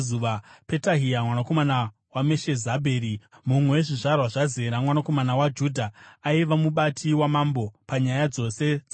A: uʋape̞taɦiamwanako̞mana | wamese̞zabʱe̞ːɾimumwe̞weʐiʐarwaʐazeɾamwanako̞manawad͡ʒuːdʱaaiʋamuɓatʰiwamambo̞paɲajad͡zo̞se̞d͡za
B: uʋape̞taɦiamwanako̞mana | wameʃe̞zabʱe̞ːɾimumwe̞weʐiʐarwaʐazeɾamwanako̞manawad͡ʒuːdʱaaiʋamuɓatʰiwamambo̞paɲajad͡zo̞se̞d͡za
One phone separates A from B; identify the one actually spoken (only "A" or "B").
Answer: B